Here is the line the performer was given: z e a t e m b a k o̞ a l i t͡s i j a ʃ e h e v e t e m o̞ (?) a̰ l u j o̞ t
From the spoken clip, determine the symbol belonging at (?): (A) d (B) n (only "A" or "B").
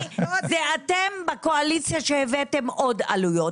A